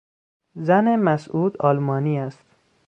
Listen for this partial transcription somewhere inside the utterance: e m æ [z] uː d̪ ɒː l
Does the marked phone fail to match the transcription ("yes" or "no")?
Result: yes